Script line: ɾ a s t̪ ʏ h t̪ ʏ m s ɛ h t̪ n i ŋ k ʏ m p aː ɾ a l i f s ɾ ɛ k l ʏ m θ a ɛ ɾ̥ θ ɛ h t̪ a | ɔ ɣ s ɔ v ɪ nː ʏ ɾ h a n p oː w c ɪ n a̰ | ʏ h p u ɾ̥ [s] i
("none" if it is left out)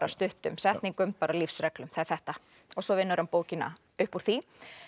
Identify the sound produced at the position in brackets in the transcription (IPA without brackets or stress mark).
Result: θ